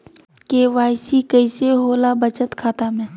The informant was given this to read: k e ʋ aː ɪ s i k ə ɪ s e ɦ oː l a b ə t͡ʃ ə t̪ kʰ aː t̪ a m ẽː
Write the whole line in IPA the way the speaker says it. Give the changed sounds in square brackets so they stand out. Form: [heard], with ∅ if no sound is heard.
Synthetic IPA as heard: k e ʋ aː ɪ s i k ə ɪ s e ɦ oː l a b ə t͡ʃ ə t̪ kʰ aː t̪ a m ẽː